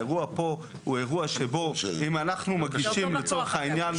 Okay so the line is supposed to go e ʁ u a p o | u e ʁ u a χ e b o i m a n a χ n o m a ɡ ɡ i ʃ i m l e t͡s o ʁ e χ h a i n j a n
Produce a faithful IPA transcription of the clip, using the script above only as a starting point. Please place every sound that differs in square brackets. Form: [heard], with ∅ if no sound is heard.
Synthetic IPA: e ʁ u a p o | u e ʁ u a [ʃ] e b o i m a n a χ n [u] m a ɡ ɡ i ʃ i m l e t͡s o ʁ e χ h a i n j a n